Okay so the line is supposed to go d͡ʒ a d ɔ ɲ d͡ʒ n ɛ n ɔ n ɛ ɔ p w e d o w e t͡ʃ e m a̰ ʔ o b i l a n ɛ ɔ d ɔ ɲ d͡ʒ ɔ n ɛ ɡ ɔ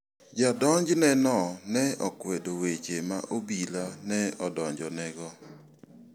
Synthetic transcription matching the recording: d͡ʒ a d ɔ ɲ d͡ʒ n ɛ n ɔ n ɛ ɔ k w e d o w e t͡ʃ e m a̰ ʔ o b i l a n ɛ ɔ d ɔ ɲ d͡ʒ ɔ n ɛ ɡ ɔ